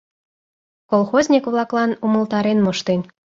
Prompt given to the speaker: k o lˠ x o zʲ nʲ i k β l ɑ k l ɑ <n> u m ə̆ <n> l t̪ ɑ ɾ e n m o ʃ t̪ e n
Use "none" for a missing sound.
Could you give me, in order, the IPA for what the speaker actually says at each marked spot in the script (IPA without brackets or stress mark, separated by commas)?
n, none